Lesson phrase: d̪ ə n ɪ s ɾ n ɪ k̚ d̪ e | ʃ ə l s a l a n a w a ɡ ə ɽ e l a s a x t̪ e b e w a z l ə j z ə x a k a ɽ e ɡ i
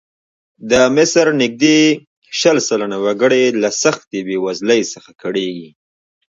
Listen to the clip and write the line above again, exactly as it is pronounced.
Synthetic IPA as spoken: d̪ ə m ɪ s ɾ n ɪ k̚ d̪ e | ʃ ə l s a l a n a w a ɡ ə ɽ e l a s a x t̪ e b e w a z l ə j s ə x a k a ɽ e ɡ i